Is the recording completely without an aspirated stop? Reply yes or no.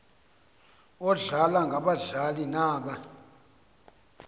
yes